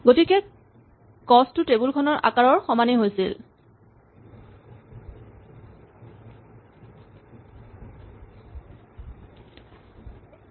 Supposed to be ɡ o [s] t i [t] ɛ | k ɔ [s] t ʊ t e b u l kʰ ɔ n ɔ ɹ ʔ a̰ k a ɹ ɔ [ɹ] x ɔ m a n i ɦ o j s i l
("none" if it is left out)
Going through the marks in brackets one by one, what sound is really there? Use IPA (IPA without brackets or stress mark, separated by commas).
none, k, s, ɹ